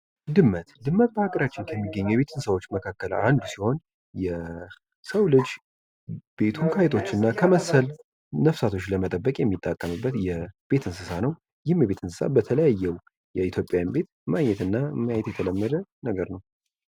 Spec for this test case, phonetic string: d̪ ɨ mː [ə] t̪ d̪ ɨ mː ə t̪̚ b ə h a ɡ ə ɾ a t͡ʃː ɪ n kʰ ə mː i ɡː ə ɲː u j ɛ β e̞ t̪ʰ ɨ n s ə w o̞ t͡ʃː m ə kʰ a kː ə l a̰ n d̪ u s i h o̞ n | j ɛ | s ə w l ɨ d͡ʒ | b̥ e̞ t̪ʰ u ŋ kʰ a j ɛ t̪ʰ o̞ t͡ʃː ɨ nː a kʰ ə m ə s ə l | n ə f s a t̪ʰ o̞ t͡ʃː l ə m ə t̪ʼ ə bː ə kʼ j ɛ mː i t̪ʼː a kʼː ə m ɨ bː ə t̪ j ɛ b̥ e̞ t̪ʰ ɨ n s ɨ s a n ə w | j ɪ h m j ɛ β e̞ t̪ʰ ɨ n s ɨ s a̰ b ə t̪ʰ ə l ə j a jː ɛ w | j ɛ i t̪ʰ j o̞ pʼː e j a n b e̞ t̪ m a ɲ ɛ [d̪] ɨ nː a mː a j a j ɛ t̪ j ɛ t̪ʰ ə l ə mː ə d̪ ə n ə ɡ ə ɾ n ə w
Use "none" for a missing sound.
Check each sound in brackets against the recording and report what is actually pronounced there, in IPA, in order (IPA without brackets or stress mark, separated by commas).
ə, t̪